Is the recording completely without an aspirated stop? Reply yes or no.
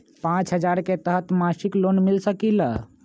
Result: yes